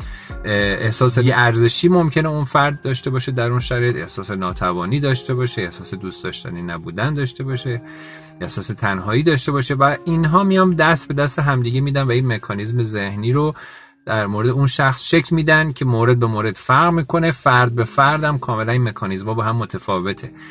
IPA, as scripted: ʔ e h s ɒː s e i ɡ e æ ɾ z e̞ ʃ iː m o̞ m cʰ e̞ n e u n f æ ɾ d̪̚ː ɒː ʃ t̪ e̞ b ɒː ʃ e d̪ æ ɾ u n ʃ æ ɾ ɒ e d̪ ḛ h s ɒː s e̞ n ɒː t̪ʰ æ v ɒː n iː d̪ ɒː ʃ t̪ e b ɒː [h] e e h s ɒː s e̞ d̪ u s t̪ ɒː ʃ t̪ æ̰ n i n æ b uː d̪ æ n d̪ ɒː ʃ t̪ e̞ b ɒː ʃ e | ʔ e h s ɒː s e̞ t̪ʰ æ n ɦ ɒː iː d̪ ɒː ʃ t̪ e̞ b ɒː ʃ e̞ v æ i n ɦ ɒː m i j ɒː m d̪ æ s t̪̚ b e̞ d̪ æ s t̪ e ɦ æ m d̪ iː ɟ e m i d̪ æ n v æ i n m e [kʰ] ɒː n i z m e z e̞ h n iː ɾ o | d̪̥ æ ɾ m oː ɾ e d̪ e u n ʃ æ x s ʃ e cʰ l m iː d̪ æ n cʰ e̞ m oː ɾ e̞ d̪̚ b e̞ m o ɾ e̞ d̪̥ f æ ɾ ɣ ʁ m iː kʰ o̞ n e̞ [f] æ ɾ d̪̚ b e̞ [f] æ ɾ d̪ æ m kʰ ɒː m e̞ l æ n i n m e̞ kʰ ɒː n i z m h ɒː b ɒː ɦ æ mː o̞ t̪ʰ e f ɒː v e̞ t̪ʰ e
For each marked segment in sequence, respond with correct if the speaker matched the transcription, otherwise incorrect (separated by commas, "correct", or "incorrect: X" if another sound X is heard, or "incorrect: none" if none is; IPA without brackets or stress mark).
incorrect: ʃ, correct, correct, correct